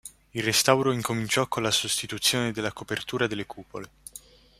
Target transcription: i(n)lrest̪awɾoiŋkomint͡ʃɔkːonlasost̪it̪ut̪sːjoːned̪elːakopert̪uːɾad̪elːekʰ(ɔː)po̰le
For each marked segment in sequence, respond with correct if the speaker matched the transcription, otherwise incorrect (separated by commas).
incorrect, incorrect